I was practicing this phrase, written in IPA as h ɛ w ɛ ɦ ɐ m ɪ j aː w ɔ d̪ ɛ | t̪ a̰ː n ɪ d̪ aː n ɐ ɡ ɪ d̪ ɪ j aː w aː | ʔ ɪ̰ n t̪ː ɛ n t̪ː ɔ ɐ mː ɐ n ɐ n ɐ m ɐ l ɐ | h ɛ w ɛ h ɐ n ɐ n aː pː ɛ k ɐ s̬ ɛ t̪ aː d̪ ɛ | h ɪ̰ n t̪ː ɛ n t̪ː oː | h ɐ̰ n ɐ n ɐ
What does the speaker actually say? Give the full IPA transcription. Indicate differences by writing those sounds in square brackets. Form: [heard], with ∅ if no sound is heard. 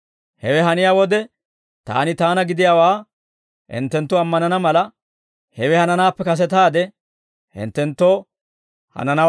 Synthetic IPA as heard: h ɛ w ɛ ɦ ɐ [n] ɪ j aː w ɔ d̪ ɛ | t̪ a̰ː n ɪ [t̪] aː n ɐ ɡ ɪ d̪ ɪ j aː w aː | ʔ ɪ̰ n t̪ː ɛ n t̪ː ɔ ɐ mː ɐ n ɐ n ɐ m ɐ l ɐ | h ɛ w ɛ h ɐ n ɐ n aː pː ɛ k ɐ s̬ ɛ t̪ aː d̪ ɛ | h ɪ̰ n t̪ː ɛ n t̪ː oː | h ɐ̰ n ɐ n ɐ